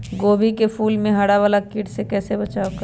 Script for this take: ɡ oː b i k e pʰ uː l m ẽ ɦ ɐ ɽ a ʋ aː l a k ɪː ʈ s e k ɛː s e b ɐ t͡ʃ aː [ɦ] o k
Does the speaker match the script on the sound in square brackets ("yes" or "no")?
no